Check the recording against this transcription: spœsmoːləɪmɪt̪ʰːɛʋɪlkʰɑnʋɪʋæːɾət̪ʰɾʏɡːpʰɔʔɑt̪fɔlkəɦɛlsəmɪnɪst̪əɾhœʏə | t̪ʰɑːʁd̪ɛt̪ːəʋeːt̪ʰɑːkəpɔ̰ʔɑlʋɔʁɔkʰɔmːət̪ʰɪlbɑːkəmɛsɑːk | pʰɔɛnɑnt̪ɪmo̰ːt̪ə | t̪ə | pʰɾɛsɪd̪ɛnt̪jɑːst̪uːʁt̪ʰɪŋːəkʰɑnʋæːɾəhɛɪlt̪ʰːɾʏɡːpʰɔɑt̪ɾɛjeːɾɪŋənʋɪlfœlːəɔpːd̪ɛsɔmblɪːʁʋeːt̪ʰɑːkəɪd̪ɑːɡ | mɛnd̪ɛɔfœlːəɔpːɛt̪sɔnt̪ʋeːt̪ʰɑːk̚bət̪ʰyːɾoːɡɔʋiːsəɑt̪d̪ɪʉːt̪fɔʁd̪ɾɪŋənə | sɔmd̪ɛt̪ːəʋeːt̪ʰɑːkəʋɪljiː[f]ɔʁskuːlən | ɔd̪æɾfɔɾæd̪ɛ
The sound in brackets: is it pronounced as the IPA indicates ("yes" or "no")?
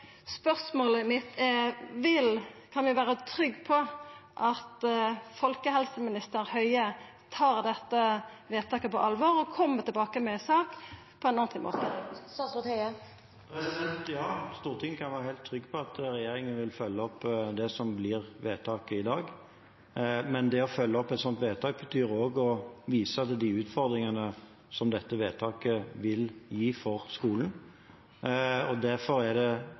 yes